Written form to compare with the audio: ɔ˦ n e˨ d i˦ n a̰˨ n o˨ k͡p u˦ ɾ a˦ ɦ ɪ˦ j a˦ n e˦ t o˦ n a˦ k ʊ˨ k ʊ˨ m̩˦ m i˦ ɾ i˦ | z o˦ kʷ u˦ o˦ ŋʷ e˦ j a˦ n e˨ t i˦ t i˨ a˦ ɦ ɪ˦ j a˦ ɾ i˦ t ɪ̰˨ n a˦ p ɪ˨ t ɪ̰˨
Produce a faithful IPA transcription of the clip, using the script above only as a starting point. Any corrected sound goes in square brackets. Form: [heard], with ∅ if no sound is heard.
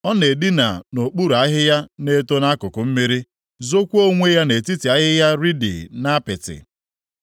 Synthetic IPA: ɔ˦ n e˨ d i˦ n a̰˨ n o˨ k͡p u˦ ɾ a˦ ɦ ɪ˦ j a˦ n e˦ t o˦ n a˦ k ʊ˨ k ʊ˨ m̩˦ m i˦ ɾ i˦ | z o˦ kʷ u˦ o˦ ŋʷ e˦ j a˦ n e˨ t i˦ t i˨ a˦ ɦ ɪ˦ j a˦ ɾ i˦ [d] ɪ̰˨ n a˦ p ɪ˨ t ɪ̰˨